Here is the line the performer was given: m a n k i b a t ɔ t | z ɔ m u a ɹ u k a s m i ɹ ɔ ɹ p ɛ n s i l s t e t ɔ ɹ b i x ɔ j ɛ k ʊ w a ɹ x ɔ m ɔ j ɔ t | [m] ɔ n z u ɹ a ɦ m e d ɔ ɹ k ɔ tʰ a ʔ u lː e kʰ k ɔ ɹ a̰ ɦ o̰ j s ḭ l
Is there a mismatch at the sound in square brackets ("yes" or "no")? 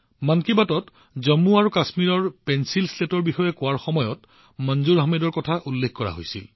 no